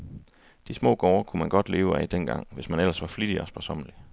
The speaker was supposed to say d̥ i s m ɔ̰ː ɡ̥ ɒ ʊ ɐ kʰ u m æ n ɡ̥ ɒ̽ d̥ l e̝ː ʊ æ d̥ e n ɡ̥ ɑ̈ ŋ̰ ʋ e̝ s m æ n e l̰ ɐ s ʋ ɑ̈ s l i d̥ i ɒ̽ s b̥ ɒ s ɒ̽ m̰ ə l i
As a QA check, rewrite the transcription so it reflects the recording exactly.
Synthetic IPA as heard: d̥ i s m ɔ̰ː ɡ̥ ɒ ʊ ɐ kʰ u m æ n ɡ̥ ɒ̽ d̥ l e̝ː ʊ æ d̥ e n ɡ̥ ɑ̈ ŋ̰ ʋ e̝ s m æ n e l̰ ɐ s ʋ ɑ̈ f l i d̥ i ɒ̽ s b̥ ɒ s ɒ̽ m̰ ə l i